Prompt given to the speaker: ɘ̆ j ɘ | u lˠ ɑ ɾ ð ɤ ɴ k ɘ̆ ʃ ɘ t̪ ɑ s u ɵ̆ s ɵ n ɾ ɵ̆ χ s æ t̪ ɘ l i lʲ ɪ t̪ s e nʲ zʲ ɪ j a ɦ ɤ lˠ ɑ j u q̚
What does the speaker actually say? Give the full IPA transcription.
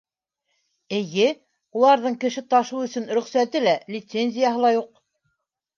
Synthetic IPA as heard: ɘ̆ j ɘ | u lˠ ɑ ɾ ð ɤ ɴ k ɘ̆ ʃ ɘ t̪ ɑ ʃ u ɵ̆ s ɵ n ɾ ɵ̆ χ s æ t̪ ɘ l æ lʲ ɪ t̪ s e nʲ zʲ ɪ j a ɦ ɤ lˠ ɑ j u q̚